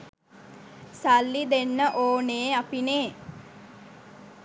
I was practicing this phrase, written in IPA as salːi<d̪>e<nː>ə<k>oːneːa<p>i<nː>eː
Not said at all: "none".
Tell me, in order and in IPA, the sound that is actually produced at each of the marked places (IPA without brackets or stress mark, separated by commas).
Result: d̪, nː, ʔ, p, n